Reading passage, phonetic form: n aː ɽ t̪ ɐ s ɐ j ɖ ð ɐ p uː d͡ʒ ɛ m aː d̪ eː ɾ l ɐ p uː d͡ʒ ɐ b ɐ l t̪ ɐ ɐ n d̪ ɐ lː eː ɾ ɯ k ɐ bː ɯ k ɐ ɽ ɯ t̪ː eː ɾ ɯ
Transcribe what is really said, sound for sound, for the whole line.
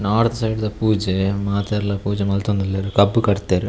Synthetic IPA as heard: n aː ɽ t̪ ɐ s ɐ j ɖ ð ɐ p uː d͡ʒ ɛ m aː t̪ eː ɾ l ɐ p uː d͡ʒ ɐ m ɐ l t̪ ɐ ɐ n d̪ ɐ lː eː ɾ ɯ k ɐ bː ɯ k ɐ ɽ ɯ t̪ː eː ɾ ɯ